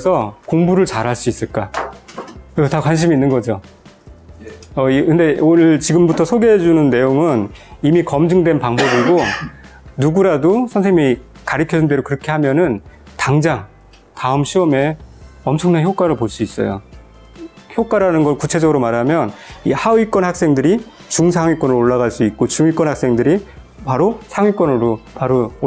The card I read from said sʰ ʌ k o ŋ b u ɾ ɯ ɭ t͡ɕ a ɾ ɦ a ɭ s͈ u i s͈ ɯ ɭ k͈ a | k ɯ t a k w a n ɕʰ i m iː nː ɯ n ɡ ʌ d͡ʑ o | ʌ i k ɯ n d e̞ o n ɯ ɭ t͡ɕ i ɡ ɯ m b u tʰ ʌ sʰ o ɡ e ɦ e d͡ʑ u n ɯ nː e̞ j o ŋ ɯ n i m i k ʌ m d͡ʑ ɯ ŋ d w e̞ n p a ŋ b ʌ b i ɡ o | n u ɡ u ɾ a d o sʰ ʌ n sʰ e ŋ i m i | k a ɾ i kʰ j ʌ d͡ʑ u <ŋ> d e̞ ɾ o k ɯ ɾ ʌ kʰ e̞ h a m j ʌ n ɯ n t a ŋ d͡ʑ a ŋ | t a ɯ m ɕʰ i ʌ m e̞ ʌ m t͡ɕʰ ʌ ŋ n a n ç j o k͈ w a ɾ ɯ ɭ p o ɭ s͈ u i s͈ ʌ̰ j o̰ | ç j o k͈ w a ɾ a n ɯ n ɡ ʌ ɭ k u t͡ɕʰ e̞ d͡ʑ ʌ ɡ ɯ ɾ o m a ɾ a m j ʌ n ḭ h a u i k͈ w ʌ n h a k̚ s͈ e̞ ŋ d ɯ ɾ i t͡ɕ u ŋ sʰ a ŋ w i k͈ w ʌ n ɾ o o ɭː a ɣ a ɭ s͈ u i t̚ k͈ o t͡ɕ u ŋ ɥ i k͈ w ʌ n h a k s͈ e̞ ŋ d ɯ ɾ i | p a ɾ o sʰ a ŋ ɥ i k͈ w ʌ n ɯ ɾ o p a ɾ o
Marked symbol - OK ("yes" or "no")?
no